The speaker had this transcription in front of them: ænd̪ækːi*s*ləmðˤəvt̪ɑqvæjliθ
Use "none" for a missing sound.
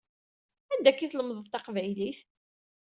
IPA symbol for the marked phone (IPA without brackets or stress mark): θ